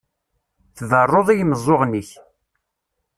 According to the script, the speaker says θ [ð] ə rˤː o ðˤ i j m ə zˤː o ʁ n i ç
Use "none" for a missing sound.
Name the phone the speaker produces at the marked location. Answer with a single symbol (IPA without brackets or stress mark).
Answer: ð